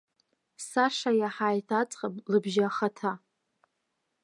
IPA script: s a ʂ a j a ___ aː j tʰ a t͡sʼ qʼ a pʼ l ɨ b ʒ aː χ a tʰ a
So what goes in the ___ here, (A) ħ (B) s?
A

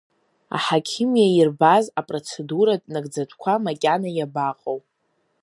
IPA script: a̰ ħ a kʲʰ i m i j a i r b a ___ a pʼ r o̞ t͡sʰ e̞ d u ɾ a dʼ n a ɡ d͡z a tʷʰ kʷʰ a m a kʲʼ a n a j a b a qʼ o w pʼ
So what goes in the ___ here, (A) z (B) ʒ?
A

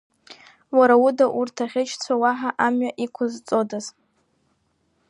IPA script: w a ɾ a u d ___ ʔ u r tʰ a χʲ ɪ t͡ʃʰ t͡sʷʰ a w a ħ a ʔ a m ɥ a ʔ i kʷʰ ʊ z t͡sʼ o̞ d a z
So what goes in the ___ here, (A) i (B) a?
B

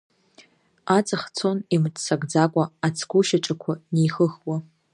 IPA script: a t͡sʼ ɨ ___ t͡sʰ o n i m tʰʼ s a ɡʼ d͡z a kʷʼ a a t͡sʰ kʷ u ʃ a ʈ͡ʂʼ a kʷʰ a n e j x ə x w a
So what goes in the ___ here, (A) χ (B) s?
A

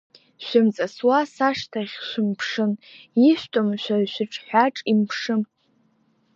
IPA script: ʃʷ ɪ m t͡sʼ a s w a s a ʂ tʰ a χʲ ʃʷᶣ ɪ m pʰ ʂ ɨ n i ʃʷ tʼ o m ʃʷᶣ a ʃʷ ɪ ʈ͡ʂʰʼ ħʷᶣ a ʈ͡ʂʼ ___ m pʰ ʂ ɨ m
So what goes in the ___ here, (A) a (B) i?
B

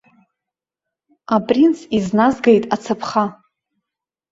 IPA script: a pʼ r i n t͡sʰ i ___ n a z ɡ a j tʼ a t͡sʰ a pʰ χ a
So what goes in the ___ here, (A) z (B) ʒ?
A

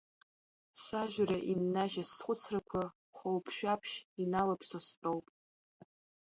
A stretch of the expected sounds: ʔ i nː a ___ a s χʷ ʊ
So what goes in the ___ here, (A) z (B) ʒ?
B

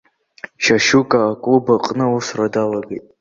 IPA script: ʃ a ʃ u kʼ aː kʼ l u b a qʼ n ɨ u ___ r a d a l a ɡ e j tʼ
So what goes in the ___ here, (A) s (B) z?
A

